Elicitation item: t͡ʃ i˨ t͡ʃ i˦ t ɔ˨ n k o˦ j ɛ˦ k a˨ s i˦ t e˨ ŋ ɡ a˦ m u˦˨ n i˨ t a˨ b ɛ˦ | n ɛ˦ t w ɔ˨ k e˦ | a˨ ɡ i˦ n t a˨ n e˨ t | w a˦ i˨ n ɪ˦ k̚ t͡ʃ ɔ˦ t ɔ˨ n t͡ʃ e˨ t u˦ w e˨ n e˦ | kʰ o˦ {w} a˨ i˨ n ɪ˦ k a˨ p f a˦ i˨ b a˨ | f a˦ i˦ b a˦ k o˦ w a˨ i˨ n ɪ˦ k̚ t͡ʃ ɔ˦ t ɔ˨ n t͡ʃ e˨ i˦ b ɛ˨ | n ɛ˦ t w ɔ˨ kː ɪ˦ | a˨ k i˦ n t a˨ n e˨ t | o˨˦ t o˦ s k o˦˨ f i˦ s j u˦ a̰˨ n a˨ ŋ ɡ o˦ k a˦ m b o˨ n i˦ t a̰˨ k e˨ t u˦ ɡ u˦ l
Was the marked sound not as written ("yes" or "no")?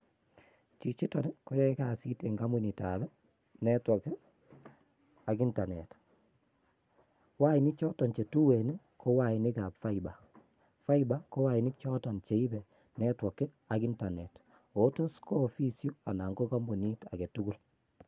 no